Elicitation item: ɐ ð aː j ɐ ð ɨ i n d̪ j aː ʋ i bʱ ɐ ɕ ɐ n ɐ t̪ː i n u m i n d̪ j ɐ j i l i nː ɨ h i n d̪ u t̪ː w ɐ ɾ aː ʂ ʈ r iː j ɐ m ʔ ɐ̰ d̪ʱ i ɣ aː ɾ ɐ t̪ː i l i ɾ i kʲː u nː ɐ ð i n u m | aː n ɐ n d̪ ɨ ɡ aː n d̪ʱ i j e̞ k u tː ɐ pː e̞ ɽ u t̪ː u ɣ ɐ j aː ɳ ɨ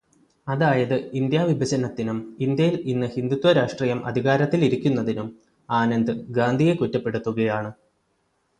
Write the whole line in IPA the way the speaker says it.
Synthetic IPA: ɐ ð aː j ɐ ð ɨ i n d̪ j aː ʋ i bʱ ɐ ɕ ɐ n ɐ t̪ː i n u m i n d̪ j ɐ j i l i nː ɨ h i n d̪ u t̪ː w ɐ ɾ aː ʂ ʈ r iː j ɐ m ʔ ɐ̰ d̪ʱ i ɣ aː ɾ ɐ t̪ː i l i ɾ i kʲː u nː ɐ ð i n u m | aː n ɐ n d̪ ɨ ɡ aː n d̪ʱ i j e̞ k u tː ɐ pː e̞ ɽ u t̪ː u ɣ ɐ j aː ɳ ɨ